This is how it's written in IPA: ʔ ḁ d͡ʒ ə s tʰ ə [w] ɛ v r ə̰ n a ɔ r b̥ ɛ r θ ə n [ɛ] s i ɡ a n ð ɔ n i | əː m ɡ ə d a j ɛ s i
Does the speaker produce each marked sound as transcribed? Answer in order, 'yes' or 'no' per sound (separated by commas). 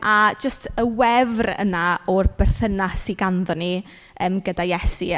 yes, no